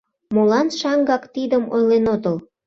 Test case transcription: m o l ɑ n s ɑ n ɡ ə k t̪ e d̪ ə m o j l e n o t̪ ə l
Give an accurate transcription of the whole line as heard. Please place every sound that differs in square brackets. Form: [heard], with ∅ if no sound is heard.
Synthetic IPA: m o l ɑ n [ʃ] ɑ [ŋ] ɡ [ɑ] k t̪ [i] d̪ ə m o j l e n o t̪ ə l